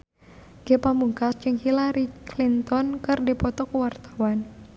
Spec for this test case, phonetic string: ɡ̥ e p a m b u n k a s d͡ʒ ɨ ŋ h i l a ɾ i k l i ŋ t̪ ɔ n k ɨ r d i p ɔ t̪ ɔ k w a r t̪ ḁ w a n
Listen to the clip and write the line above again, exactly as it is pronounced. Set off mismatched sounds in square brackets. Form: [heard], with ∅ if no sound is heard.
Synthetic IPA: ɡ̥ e p a m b u [ŋ] k a s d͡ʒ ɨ ŋ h i l a ɾ i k l i [n] t̪ ɔ n k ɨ r d i p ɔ t̪ ɔ k w a r t̪ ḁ w a n